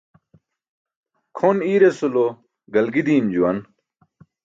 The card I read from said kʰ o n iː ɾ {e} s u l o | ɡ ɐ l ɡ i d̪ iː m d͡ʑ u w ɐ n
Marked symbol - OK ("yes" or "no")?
yes